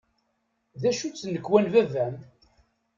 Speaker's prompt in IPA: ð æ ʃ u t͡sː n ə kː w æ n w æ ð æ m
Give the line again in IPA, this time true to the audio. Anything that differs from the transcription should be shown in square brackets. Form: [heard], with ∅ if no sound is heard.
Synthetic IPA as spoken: ð æ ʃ u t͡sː n ə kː w æ n [v] æ [v] æ m